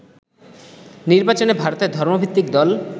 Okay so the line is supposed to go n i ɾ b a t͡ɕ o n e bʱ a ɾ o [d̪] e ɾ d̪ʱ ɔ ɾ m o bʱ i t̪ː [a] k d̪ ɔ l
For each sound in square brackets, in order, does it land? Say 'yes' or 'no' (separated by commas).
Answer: no, no